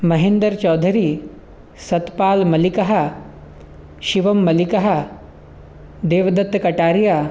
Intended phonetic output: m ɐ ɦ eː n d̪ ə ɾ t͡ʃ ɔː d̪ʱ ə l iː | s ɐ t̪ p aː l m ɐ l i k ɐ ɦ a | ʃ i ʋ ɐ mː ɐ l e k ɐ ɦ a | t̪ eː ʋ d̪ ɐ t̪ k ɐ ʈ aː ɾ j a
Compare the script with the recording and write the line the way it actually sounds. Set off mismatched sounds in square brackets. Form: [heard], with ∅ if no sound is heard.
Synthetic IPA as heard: m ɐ ɦ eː n d̪ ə ɾ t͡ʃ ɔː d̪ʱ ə [ɾ] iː | s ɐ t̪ p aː l m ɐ l i k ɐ ɦ a | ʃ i ʋ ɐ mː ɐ l [i] k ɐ ɦ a | [d̪] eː ʋ d̪ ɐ t̪ k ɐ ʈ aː ɾ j a